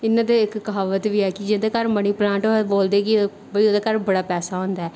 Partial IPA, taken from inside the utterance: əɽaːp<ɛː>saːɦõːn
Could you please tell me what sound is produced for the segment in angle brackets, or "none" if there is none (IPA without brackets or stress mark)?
ɛː